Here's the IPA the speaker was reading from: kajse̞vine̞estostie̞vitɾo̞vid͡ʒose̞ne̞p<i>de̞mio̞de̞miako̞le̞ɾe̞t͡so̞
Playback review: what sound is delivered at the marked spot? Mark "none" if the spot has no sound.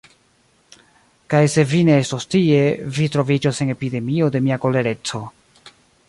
i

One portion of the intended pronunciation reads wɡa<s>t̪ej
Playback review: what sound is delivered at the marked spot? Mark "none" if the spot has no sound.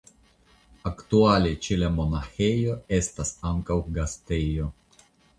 s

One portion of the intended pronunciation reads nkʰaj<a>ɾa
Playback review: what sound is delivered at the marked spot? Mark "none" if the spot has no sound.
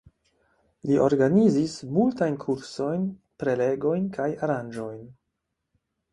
a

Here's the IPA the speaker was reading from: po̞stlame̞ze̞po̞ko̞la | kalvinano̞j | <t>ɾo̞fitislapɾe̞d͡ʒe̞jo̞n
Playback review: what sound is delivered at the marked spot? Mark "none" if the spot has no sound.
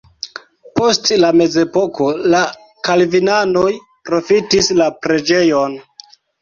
p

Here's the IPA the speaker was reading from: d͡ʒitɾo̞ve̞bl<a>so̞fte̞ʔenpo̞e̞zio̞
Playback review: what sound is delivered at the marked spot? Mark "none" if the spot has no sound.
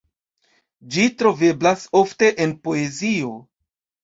a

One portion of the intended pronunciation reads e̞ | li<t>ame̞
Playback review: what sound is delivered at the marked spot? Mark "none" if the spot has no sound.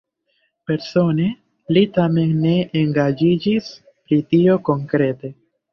t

